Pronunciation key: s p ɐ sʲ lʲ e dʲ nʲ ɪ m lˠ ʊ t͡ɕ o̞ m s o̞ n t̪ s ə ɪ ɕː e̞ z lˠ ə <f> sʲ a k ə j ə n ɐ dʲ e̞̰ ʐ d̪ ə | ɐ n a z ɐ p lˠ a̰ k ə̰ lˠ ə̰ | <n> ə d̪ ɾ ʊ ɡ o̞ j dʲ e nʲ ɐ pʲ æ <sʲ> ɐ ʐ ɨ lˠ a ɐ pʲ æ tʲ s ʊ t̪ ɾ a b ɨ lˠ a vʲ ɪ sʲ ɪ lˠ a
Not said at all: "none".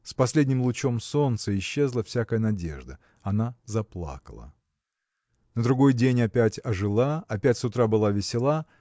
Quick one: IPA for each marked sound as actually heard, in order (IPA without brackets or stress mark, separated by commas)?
f, n, tʲ